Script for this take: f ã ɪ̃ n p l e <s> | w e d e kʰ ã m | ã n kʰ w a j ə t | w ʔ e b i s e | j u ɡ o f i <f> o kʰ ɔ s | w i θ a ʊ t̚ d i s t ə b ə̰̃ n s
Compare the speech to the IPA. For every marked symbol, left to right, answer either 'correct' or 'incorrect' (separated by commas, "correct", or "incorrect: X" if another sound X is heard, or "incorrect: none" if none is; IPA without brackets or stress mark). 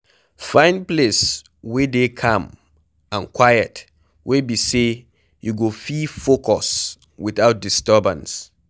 correct, correct